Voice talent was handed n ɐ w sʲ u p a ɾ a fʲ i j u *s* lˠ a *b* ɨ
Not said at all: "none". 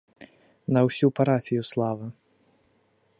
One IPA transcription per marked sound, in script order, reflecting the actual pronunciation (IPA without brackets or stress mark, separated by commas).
s, v